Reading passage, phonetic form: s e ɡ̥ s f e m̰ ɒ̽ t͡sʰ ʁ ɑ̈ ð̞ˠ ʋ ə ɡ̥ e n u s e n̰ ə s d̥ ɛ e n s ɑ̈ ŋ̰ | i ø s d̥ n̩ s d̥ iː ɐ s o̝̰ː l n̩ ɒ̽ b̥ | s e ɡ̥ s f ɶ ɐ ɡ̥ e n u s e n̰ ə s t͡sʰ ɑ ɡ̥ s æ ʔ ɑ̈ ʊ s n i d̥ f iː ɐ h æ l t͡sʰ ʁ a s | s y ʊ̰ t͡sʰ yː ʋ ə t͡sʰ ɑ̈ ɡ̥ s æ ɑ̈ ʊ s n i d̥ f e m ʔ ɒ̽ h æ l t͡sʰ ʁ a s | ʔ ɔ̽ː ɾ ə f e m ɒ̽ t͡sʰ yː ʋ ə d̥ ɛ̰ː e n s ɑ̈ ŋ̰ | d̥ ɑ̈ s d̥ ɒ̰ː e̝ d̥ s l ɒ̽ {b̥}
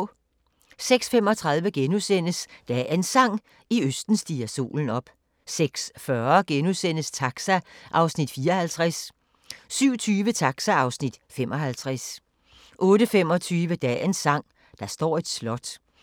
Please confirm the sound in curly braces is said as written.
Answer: no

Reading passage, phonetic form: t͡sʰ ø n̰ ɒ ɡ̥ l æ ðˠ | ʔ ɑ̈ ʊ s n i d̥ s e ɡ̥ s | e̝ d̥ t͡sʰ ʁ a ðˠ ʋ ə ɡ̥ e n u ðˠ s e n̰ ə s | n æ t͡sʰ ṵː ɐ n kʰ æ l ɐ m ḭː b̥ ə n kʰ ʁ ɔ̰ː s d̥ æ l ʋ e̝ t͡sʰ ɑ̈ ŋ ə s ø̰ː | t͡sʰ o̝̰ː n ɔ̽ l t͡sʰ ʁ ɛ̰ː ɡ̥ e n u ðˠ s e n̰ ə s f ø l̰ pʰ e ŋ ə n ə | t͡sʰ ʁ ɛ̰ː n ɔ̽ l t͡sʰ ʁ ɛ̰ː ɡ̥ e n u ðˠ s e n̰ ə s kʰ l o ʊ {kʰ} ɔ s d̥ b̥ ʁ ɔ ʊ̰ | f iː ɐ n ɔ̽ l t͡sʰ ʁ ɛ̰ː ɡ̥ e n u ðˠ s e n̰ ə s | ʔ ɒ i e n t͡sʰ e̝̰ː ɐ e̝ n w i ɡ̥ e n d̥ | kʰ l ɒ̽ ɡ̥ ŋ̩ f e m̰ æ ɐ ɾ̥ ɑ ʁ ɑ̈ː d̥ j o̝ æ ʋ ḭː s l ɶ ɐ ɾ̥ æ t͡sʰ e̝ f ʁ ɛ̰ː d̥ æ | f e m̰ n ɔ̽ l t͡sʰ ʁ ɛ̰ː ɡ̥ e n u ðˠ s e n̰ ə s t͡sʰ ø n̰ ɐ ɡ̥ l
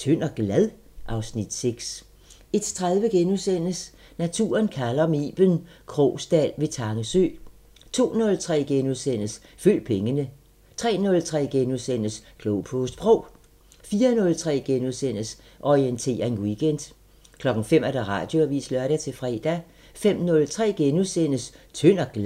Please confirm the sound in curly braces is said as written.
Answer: no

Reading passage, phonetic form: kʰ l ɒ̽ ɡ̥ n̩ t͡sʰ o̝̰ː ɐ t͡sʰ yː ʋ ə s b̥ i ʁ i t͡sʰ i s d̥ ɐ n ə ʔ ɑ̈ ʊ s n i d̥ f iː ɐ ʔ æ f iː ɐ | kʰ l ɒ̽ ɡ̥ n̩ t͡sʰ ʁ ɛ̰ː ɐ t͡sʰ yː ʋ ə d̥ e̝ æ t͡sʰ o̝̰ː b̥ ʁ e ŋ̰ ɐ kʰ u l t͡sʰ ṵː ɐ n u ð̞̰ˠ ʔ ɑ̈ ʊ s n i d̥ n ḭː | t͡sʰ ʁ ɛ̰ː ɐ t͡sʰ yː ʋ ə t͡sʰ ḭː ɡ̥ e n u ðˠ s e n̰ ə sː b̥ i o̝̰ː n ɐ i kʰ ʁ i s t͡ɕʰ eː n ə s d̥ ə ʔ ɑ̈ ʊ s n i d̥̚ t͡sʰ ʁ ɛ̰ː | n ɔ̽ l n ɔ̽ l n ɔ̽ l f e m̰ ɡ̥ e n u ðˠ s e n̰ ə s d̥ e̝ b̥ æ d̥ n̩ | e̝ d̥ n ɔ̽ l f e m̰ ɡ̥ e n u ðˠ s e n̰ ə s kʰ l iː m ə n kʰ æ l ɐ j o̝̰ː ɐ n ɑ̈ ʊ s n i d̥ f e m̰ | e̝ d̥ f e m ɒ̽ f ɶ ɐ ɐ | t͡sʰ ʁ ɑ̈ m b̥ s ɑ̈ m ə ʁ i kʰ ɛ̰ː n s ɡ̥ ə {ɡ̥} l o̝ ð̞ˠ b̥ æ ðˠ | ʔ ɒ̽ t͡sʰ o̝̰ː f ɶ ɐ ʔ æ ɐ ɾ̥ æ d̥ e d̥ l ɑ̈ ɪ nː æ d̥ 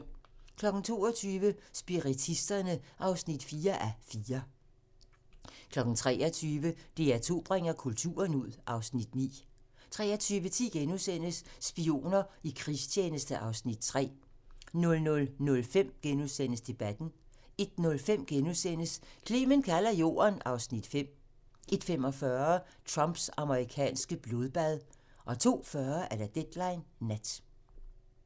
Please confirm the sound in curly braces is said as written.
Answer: no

